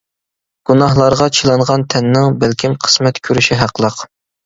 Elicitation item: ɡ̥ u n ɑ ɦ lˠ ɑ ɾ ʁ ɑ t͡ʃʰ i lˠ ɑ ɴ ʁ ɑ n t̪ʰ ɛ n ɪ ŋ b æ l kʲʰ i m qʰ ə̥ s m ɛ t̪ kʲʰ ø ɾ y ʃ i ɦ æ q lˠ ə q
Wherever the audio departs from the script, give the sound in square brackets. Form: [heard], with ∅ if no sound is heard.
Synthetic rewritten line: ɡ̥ u n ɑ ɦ lˠ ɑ ɾ ʁ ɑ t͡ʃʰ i lˠ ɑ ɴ ʁ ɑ n t̪ʰ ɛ [nː] ɪ ŋ b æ l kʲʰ i m qʰ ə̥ s m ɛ t̪ kʲʰ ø ɾ y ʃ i ɦ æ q lˠ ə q